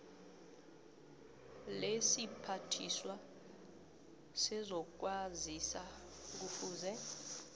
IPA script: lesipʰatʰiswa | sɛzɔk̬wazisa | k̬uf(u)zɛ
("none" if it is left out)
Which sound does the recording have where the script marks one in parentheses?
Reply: uː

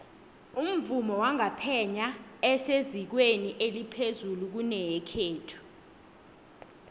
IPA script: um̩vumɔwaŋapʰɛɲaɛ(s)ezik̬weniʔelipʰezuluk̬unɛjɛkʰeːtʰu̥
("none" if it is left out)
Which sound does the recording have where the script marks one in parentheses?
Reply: s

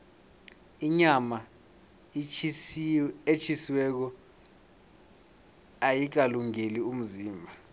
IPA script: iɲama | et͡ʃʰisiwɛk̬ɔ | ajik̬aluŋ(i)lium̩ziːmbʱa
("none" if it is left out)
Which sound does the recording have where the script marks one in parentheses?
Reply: e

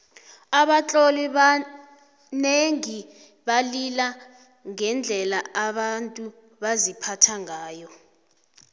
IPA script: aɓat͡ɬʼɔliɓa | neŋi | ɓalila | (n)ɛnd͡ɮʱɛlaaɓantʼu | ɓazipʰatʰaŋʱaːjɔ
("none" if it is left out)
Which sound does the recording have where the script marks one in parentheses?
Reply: ŋ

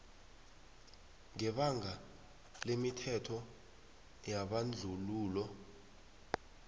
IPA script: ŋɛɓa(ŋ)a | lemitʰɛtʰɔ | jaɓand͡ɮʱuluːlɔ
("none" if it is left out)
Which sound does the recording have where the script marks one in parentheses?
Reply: ŋ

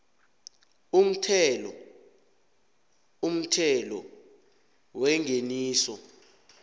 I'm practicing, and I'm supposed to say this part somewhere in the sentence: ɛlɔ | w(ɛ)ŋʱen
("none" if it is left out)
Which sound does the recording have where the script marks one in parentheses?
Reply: ɛ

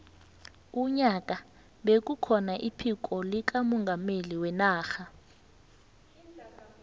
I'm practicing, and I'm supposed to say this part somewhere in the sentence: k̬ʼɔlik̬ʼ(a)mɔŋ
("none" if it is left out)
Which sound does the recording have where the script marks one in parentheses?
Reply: a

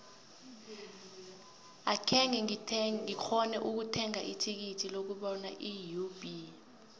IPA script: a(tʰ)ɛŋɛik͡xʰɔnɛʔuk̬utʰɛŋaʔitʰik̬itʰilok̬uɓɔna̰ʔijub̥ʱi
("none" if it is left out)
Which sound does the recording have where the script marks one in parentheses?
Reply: kʰ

